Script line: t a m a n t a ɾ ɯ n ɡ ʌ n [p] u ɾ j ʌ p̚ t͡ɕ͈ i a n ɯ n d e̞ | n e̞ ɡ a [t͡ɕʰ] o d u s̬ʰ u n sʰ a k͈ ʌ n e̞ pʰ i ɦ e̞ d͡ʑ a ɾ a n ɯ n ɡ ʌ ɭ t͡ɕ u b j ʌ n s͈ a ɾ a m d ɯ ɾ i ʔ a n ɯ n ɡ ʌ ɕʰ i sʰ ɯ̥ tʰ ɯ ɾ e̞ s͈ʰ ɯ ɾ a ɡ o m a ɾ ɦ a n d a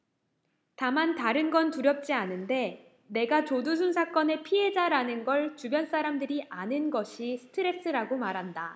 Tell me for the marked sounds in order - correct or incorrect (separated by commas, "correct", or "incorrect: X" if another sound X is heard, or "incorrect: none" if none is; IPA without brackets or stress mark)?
incorrect: t, incorrect: t͡ɕ